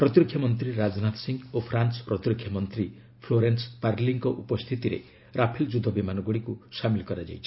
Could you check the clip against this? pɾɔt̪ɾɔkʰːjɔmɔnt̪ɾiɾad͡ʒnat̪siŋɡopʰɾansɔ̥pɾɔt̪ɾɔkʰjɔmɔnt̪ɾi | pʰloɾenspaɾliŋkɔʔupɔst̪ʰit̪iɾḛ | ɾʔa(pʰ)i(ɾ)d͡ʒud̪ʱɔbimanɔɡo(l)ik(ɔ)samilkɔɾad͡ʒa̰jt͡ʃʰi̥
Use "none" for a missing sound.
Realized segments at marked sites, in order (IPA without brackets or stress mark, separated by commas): pʰ, l, ɽ, u